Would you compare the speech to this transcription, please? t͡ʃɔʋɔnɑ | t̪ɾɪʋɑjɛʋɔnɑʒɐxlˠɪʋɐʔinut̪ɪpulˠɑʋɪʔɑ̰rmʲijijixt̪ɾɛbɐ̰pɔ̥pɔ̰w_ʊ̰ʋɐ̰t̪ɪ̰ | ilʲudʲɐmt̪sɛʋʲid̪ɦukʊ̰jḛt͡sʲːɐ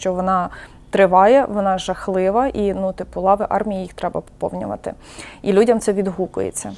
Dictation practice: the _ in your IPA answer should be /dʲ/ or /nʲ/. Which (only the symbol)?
nʲ